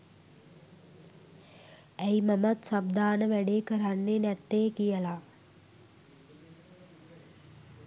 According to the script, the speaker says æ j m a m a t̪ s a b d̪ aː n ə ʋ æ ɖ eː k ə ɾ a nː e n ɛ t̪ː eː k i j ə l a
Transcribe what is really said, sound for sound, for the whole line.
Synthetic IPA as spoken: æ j m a m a t̪ s a b d̪ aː n ə ʋ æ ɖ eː k ə ɾ a nː e n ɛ t̪ː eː k i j ə l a